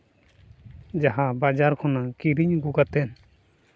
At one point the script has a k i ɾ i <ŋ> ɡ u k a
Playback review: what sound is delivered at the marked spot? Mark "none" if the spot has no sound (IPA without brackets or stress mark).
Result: ɲ